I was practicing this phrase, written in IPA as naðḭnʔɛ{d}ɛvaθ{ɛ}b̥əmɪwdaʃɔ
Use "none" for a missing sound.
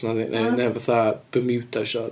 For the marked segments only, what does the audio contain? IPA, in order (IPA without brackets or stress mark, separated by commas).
n, a